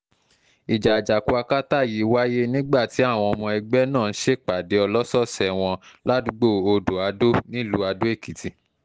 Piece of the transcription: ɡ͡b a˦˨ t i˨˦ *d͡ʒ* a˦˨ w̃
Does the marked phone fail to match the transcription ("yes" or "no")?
yes